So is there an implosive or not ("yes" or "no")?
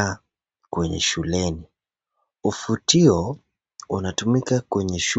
no